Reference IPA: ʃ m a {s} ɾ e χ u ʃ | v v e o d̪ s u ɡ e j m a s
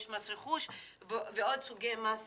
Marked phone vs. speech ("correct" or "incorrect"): correct